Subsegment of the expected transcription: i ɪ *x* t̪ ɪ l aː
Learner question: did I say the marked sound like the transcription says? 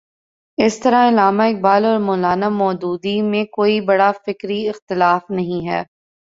yes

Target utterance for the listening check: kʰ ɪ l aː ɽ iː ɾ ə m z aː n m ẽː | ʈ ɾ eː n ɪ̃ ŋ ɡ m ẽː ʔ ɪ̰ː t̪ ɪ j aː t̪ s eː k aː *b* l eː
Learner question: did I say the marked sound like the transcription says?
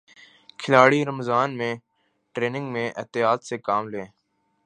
no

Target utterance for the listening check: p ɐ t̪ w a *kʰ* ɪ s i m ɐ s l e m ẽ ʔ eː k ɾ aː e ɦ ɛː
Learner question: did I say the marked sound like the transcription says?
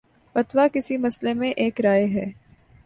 no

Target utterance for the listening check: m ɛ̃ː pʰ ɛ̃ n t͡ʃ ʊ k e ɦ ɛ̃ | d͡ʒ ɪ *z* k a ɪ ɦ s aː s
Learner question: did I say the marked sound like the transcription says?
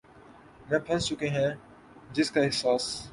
no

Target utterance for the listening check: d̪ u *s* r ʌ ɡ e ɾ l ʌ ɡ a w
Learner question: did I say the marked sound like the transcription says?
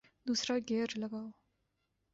yes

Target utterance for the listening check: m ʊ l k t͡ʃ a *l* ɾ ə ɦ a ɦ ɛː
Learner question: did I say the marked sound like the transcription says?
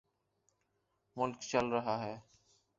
yes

